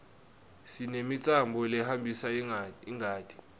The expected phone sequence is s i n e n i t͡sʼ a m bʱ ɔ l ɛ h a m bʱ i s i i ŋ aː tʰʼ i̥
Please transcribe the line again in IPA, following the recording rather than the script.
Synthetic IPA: s i n e m i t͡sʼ a m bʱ ɔ l ɛ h a m bʱ i s a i ŋ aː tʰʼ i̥